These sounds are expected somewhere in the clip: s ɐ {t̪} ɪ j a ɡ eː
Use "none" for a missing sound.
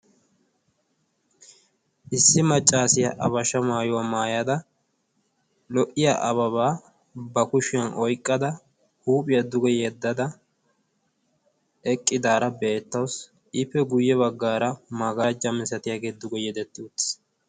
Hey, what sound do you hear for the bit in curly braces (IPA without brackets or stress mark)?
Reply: t̪